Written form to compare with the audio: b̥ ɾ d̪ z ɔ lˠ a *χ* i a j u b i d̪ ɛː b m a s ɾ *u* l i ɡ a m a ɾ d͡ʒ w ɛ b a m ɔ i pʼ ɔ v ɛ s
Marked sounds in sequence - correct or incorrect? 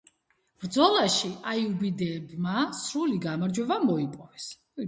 incorrect: ʃ, correct

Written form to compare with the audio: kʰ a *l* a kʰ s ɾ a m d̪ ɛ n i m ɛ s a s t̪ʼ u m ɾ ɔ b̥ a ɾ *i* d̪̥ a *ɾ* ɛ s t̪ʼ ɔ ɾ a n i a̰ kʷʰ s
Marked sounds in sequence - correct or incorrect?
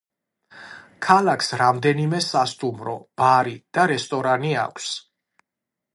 correct, correct, correct

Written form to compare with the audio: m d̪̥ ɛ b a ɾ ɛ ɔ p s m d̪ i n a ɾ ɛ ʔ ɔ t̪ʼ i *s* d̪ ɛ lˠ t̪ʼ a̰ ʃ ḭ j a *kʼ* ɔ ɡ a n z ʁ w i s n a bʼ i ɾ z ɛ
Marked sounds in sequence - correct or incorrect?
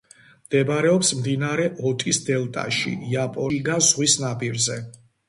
correct, incorrect: pʼ

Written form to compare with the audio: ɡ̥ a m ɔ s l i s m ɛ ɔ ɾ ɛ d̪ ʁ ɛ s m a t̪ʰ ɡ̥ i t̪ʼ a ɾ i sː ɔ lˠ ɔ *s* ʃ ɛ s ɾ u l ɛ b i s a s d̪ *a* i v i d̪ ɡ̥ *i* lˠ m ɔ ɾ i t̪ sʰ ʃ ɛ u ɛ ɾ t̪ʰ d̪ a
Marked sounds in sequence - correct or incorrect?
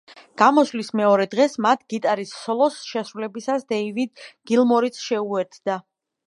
correct, incorrect: ɛ, correct

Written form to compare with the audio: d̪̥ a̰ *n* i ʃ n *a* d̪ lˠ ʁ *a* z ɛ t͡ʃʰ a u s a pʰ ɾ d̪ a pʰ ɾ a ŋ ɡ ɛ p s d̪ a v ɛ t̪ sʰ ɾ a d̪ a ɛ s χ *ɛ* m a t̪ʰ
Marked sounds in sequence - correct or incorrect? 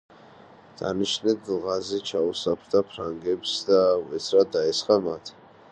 correct, incorrect: ɛ, correct, incorrect: a

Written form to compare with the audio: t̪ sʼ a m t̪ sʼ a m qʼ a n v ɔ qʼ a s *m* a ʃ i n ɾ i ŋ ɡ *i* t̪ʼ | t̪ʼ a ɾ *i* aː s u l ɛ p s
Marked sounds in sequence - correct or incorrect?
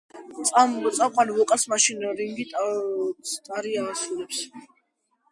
correct, correct, correct

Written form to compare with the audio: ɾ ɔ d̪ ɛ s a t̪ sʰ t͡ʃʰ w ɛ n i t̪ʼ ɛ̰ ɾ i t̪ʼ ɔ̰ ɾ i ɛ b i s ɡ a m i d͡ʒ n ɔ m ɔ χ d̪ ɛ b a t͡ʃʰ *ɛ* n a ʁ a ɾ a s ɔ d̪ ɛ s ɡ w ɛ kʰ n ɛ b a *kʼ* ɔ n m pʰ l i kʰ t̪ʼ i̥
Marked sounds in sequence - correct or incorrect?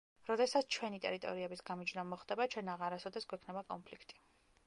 correct, correct

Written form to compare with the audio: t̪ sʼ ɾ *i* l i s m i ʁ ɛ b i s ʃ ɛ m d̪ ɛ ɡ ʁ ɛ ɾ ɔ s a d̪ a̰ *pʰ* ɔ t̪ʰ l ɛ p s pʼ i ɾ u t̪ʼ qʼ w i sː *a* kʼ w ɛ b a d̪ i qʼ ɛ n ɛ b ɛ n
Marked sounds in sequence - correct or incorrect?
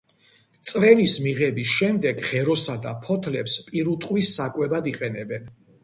incorrect: ɛ, correct, correct

